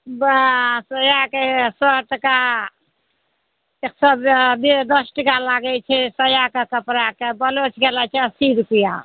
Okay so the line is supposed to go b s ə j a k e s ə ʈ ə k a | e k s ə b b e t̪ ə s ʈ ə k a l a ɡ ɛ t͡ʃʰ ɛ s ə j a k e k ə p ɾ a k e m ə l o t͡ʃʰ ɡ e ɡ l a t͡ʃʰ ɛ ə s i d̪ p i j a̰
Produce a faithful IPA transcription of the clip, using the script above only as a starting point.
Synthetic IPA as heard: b s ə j a k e s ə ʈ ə k a | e k s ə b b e d̪ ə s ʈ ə k a l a ɡ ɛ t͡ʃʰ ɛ s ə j a k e k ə p ɾ a k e b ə l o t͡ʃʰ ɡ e l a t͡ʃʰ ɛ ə s i d̪ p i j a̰